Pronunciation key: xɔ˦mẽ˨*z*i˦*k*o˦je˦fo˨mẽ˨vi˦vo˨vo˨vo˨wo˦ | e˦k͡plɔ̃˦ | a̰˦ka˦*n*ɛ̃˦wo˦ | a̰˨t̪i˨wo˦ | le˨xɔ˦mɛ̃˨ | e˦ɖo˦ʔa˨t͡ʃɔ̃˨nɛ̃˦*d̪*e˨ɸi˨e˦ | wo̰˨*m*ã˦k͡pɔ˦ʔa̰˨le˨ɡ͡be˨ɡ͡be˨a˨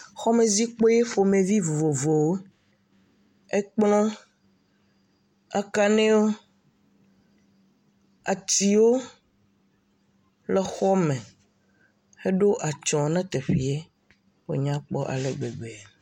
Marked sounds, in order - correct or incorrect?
correct, incorrect, correct, incorrect, incorrect

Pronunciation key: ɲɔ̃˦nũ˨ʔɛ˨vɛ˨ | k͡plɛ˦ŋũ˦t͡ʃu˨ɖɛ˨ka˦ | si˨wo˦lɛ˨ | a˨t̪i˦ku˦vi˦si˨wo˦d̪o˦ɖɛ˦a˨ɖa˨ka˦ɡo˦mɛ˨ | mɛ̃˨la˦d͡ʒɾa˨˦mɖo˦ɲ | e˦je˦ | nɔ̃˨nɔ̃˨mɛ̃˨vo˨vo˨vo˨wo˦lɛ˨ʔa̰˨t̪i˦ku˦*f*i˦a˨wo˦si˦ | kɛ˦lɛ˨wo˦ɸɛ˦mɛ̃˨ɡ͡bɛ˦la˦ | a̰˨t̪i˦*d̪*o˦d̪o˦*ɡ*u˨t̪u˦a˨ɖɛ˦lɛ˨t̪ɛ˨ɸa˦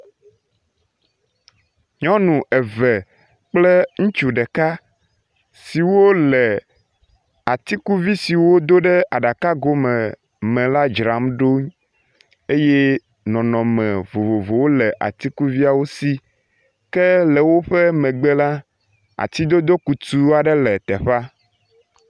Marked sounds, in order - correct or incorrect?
incorrect, correct, incorrect

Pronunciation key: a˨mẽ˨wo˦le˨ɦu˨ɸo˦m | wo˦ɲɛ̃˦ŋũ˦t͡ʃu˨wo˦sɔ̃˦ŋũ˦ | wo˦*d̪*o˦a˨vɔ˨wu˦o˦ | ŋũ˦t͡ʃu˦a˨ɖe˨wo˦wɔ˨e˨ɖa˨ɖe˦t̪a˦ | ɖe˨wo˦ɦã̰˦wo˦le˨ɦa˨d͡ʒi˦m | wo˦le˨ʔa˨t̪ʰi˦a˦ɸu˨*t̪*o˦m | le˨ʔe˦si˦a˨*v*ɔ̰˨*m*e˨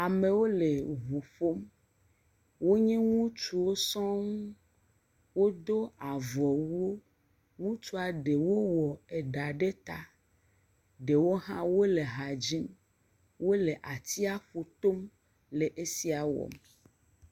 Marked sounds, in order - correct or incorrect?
correct, correct, incorrect, correct

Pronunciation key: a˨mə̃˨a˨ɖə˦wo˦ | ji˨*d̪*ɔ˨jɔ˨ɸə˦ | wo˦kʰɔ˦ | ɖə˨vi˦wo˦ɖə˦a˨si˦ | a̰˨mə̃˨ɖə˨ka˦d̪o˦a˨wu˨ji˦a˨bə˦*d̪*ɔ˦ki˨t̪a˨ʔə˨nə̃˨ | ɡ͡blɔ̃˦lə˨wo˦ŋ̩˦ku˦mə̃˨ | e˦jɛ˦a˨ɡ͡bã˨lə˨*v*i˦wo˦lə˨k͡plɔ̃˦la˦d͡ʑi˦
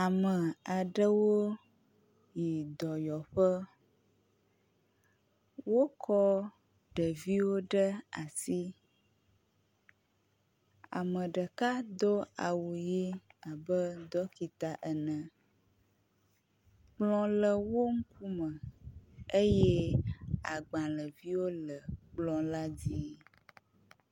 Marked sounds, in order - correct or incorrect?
correct, correct, correct

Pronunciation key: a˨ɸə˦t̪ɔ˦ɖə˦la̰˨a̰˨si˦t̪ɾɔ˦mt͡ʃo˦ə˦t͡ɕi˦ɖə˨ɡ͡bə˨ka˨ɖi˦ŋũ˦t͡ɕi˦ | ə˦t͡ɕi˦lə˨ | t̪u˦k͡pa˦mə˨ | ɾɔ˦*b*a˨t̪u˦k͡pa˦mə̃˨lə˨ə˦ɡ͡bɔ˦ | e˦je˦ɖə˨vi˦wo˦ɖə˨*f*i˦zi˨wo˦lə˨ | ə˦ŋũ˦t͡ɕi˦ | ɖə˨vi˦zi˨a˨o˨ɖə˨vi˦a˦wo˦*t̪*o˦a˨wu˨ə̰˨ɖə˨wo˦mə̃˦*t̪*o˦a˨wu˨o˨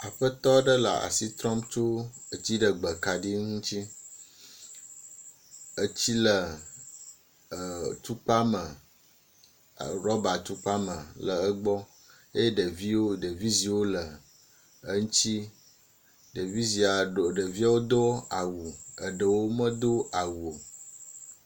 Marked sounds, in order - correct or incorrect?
correct, incorrect, incorrect, incorrect

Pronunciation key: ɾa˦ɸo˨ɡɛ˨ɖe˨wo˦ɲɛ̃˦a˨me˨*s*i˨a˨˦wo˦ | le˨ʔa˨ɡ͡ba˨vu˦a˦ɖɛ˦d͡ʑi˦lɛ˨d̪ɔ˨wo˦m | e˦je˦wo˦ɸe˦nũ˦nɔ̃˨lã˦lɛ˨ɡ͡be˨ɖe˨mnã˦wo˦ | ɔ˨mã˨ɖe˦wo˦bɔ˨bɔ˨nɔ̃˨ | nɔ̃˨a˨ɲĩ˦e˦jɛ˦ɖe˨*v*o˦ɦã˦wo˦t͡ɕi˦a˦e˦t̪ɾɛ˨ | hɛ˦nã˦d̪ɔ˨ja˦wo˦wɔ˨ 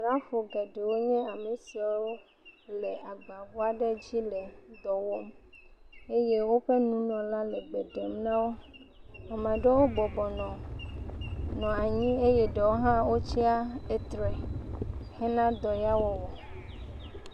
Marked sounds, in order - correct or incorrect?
correct, incorrect

